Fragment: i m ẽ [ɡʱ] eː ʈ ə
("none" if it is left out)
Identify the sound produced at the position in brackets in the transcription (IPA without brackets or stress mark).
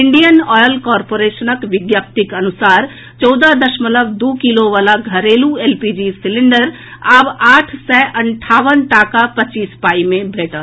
bʱ